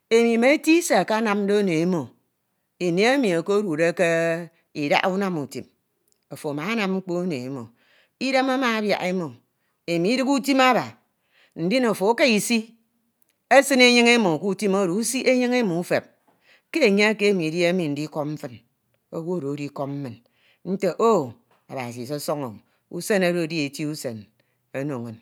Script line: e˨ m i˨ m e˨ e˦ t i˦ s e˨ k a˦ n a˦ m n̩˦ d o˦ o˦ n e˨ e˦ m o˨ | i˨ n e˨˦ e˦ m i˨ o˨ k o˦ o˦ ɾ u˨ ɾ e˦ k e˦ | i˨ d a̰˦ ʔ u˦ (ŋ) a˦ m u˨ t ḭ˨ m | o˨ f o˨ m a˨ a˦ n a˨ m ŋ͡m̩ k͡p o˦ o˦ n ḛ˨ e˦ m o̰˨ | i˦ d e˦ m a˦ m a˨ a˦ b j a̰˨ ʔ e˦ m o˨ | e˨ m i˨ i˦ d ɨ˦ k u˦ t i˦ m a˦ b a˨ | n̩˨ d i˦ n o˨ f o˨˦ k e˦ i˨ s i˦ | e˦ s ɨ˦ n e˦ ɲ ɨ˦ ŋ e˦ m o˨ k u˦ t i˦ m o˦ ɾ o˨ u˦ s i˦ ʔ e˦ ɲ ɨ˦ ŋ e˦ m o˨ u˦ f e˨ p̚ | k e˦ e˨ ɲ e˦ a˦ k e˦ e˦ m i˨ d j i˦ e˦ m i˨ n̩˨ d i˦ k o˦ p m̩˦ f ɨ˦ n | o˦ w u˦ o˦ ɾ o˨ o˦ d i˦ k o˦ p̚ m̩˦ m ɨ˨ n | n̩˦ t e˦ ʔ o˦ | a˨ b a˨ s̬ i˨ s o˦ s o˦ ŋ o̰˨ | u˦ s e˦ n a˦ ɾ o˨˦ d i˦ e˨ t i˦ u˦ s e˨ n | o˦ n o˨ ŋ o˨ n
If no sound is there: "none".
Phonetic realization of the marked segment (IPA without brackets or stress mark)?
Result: n